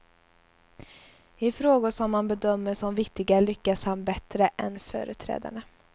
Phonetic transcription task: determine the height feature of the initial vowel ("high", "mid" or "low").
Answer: high